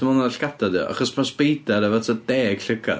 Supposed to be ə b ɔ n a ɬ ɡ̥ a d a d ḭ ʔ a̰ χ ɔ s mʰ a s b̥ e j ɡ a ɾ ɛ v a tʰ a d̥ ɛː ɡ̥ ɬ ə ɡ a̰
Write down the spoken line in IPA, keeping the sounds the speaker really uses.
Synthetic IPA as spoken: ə m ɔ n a ɬ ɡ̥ a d a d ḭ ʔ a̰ χ ɔ s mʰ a s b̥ e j d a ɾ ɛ v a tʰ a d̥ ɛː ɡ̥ ɬ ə ɡ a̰